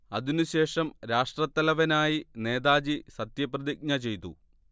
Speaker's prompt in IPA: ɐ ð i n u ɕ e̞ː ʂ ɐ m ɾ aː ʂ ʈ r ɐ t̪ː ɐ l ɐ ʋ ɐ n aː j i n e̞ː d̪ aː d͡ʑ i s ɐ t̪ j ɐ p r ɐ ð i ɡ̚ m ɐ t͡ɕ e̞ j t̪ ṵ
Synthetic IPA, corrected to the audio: ɐ ð i n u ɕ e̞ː ʂ ɐ m ɾ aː ʂ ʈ r ɐ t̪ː ɐ l ɐ ʋ ɐ n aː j i n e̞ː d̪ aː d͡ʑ i s ɐ t̪ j ɐ p r ɐ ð i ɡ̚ ɲ ɐ t͡ɕ e̞ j t̪ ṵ